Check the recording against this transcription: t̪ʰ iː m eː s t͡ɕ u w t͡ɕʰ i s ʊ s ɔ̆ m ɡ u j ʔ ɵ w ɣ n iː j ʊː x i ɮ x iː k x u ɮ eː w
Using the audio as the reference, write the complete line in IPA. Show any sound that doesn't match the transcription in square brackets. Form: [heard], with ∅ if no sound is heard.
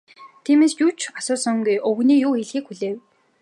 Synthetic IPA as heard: t̪ʰ iː m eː s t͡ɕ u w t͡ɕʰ [a] s [ʊː] s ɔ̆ [ŋ] ɡ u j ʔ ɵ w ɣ n iː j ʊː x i ɮ x iː k x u ɮ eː w